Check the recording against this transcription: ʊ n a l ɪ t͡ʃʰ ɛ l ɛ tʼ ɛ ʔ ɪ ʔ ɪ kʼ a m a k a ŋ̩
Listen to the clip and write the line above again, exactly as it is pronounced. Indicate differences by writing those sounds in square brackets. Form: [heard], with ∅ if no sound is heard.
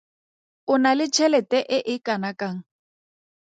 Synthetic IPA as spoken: ʊ n a l ɪ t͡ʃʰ ɛ l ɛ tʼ ɛ ʔ ɪ ʔ ɪ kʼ a [n] a k a ŋ̩